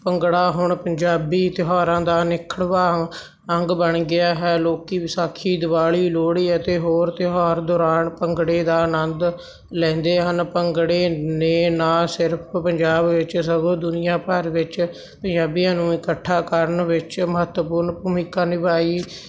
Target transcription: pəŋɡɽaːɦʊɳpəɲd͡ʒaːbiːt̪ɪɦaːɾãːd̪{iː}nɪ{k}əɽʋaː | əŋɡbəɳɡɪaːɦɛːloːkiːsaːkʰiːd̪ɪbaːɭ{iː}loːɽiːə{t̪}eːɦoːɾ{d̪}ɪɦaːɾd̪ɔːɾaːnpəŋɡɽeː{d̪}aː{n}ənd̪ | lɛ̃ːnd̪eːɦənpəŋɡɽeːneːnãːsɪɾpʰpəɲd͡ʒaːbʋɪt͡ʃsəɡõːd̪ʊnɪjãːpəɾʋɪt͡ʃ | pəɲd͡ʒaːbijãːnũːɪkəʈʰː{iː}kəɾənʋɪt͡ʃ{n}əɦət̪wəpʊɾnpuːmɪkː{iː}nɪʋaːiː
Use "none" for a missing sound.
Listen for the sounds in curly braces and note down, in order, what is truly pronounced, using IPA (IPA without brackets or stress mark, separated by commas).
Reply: aː, kʰ, iː, t̪, t̪, d̪, n, aː, m, aː